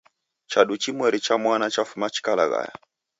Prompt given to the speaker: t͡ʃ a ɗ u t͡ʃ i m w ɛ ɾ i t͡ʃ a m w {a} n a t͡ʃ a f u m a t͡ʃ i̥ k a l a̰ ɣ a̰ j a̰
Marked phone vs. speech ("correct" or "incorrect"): correct